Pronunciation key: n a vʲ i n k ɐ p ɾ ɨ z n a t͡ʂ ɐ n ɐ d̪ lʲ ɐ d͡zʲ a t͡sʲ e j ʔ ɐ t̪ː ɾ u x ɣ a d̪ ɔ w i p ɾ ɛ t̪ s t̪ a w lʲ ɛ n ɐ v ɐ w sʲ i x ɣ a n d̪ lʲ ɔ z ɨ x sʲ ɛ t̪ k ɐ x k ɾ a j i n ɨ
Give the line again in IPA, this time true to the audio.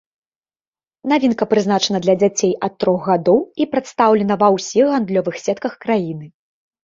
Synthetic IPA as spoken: n a vʲ i n k ɐ p ɾ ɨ z n a t͡ʂ ɐ n ɐ d̪ lʲ ɐ d͡zʲ a t͡sʲ e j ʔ ɐ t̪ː ɾ ɔ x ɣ a d̪ ɔ w i p ɾ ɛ t̪ s t̪ a w lʲ ɛ n ɐ v ɐ w sʲ i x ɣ a n d̪ lʲ ɔ v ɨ x sʲ ɛ t̪ k ɐ x k ɾ a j i n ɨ

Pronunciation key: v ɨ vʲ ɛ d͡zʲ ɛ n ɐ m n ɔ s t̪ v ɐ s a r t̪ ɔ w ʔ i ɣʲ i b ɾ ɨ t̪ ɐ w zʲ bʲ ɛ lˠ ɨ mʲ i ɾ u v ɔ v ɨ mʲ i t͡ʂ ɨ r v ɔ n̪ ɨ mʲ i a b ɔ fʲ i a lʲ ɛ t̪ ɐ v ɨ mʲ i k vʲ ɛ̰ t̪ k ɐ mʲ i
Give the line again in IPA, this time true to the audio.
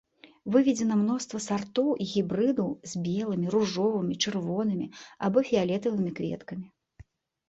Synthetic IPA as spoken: v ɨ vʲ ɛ d͡zʲ ɛ n ɐ m n ɔ s t̪ v ɐ s a r t̪ ɔ w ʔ i ɣʲ i b ɾ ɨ d̪ ɐ w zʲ bʲ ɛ lˠ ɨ mʲ i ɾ u ʐ ɔ v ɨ mʲ i t͡ʂ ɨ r v ɔ n̪ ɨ mʲ i a b ɔ fʲ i a lʲ ɛ t̪ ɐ v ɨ mʲ i k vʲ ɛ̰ t̪ k ɐ mʲ i

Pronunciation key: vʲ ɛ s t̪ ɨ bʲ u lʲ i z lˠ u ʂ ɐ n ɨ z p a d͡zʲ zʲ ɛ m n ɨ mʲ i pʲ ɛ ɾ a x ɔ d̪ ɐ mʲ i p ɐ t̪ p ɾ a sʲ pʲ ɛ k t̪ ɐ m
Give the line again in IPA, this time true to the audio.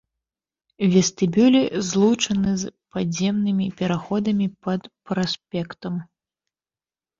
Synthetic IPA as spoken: vʲ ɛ s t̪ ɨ bʲ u lʲ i z lˠ u t͡ʂ ɐ n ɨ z p a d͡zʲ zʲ ɛ m n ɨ mʲ i pʲ ɛ ɾ a x ɔ d̪ ɐ mʲ i p ɐ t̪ p ɾ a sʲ pʲ ɛ k t̪ ɐ m

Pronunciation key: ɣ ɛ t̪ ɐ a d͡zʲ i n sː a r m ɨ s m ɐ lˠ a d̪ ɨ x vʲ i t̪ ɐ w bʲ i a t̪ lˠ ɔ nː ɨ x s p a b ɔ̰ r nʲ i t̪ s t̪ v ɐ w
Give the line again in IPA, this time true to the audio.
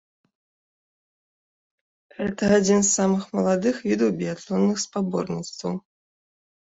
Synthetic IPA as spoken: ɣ ɛ t̪ ɐ a d͡zʲ i n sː a m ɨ x m ɐ lˠ a d̪ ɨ x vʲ i d̪ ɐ w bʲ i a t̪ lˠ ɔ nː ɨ x s p a b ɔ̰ r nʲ i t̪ s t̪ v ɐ w

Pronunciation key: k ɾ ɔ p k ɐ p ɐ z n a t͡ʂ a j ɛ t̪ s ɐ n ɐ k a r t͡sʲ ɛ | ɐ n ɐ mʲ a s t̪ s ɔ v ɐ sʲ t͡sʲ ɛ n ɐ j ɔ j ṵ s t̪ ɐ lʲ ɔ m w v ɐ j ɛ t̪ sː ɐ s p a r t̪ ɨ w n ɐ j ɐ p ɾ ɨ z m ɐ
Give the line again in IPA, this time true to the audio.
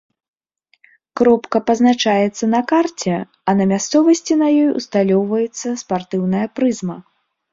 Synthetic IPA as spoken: k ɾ ɔ p k ɐ p ɐ z n a t͡ʂ a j ɛ t̪ sː ɐ n ɐ k a r t͡sʲ ɛ | ɐ n ɐ mʲ a s t̪ s ɔ v ɐ sʲ t͡sʲ i n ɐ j ɔ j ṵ s t̪ a lʲ ɔ w v ɐ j ɛ t̪ sː ɐ s p a r t̪ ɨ w n ɐ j ɐ p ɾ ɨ z m ɐ

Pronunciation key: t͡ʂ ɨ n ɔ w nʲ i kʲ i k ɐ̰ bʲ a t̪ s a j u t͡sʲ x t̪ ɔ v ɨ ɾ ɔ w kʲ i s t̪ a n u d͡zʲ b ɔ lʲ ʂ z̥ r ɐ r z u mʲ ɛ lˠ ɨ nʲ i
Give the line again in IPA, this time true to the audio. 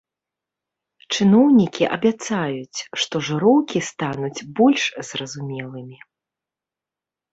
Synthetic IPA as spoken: t͡ʂ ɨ n ɔ w nʲ i kʲ i ʔ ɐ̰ bʲ a t̪ s a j u t͡sʲ ʂ t̪ ɔ ʐ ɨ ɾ ɔ w kʲ i s t̪ a n u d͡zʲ b ɔ lʲ ʂ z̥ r ɐ z u mʲ ɛ lˠ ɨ mʲ i

